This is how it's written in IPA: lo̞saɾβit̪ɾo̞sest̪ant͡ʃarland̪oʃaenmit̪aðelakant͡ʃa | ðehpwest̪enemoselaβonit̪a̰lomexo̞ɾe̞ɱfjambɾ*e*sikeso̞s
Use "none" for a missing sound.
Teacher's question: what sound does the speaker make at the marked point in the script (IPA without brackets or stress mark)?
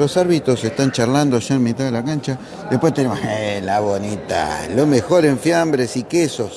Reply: e